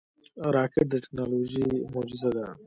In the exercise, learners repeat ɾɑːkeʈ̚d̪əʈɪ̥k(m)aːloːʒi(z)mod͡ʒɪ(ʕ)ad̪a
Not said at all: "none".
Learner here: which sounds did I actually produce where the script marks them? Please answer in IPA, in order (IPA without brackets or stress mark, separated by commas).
n, none, z